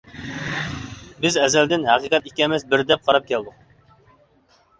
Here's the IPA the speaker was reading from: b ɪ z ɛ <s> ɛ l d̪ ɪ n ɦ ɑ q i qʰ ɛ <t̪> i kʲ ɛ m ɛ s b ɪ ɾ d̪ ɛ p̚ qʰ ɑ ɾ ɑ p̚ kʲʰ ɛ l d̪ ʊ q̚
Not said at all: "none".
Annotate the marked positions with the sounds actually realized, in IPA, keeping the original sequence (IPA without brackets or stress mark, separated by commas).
z, t̪